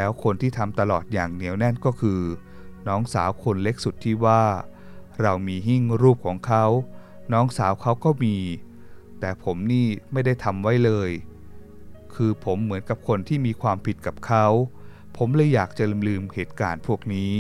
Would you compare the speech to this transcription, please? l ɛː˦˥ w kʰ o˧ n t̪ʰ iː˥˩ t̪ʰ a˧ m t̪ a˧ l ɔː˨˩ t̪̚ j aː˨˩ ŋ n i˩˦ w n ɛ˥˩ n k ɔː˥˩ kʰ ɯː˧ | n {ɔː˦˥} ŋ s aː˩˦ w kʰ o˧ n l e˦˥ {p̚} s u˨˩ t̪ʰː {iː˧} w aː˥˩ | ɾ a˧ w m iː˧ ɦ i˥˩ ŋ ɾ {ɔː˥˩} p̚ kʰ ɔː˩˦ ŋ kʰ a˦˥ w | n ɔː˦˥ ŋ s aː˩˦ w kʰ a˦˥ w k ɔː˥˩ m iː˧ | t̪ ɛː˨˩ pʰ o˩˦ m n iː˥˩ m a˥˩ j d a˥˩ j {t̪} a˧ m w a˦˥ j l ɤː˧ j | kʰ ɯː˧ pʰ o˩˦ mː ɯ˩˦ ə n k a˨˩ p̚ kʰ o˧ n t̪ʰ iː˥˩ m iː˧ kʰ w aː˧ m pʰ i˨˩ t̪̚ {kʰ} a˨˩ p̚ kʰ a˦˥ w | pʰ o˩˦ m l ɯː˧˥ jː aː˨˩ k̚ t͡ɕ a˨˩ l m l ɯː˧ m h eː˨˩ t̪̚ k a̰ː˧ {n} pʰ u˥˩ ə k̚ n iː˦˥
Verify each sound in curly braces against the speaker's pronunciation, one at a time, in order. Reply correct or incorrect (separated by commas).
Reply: correct, incorrect, incorrect, incorrect, incorrect, incorrect, correct